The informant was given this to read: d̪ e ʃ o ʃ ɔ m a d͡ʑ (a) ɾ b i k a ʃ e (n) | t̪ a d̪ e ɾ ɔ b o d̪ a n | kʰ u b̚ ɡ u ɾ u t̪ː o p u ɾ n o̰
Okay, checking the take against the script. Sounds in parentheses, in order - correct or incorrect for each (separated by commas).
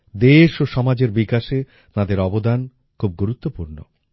incorrect, incorrect